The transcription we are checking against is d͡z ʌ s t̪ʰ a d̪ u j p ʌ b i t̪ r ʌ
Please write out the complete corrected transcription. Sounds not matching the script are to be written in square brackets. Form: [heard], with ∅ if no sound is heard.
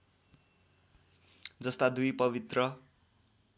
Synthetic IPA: d͡z ʌ s [t̪] a d̪ u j p ʌ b i t̪ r ʌ